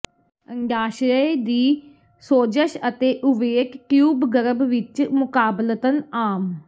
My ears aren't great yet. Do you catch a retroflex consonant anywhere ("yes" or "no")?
no